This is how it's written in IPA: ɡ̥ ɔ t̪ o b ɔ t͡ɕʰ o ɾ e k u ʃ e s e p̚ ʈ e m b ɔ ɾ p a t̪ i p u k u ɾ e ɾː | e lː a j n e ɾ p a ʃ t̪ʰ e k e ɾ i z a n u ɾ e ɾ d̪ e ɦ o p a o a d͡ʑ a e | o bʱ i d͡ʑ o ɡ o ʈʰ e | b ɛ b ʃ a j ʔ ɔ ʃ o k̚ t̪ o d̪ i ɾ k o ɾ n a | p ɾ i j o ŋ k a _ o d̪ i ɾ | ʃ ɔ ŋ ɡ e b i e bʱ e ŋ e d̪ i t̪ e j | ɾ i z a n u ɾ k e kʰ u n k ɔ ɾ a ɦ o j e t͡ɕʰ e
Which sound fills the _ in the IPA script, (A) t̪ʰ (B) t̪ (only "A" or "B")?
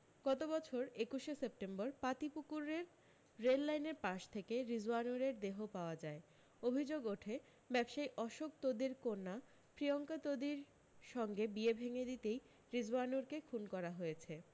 B